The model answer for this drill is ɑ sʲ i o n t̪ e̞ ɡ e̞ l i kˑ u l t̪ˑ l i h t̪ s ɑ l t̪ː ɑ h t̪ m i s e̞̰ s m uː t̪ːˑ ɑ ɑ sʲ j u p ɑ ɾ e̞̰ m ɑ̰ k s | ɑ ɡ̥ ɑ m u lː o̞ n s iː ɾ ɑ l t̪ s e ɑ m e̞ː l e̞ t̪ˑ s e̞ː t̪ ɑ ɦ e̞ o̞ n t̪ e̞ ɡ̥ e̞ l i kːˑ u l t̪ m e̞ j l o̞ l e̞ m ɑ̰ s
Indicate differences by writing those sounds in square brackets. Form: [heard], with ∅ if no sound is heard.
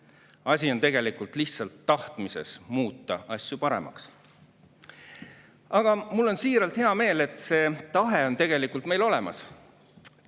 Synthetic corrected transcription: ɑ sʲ i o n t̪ e̞ ɡ e̞ l i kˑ u l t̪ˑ l i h t̪ s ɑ l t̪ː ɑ h t̪ m i s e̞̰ s m uː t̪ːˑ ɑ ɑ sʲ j u p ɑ ɾ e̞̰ m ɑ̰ k s | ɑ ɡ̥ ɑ m u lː o̞ n s iː ɾ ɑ l t̪ [h] e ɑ m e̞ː l e̞ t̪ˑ s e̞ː t̪ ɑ ɦ e̞ o̞ n t̪ e̞ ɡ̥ e̞ l i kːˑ u l t̪ m e̞ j l o̞ l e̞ m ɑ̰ s

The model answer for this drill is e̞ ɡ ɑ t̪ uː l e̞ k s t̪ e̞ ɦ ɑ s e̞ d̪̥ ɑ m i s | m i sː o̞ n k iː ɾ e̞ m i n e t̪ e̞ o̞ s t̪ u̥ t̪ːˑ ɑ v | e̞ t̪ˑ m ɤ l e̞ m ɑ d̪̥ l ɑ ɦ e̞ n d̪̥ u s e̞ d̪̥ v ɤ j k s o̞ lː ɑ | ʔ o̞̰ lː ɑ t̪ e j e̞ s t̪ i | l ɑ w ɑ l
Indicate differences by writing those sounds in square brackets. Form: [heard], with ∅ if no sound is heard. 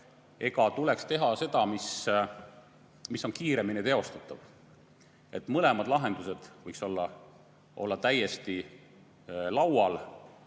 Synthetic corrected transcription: e̞ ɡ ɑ t̪ [u] l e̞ k s t̪ e̞ ɦ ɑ s e̞ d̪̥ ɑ m i s | m i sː o̞ n k iː ɾ e̞ m i n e t̪ e̞ o̞ s t̪ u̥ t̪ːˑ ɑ v | e̞ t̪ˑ m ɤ l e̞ m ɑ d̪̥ l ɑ ɦ e̞ n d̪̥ u s e̞ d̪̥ v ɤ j k s o̞ lː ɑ | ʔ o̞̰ lː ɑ t̪ [æ] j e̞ s t̪ i | l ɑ w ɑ l

